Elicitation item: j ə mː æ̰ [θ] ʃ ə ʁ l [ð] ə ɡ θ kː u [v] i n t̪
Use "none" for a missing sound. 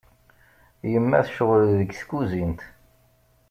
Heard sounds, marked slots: θ, ð, z

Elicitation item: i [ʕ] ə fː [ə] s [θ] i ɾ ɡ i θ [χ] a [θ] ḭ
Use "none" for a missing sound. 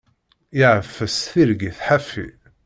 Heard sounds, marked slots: ʕ, ə, θ, ħ, f

